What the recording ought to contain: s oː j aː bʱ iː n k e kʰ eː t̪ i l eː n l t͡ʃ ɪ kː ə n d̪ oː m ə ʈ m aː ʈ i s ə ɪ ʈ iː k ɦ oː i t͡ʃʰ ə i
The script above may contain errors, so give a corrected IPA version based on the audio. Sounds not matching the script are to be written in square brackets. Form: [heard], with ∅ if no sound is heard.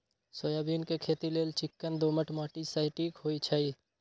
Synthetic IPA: s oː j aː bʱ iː n k e kʰ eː t̪ i l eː [∅] l t͡ʃ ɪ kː ə n d̪ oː m ə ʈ m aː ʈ i s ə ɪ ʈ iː k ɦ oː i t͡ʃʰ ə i